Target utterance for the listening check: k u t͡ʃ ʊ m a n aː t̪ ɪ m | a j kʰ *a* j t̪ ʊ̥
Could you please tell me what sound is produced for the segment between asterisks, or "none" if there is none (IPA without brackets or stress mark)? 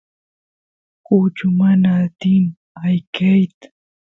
a